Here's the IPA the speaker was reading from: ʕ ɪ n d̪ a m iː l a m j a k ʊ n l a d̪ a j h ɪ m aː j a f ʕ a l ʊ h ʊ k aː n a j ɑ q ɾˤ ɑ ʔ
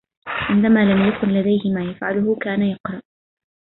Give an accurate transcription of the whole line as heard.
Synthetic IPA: ʕ ɪ n d̪ a m aː l a m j a k ʊ n l a d̪ a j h ɪ m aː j a f ʕ a l ʊ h ʊ k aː n a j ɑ q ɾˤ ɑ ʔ